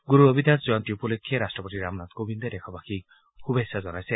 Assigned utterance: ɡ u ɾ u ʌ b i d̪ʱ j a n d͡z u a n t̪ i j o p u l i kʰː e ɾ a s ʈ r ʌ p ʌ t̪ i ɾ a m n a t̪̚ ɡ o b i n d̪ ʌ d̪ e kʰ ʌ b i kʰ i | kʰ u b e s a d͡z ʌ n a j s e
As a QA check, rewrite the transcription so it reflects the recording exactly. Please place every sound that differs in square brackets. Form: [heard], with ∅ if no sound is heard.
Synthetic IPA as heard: ɡ u ɾ u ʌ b i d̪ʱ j a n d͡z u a n t̪ i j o p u l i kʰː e ɾ a s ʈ r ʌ p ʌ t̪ i ɾ a m n a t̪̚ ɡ o b i n d̪ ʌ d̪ e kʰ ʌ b [a] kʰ i | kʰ u b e s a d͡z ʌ n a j s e